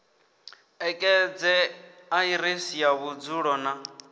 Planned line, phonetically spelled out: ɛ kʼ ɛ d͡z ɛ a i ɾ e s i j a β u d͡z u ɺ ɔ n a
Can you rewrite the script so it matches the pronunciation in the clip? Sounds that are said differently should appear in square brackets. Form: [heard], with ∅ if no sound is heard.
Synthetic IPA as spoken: ɛ kʼ ɛ d͡z ɛ a i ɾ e s i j a β u d͡z u ɺ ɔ n a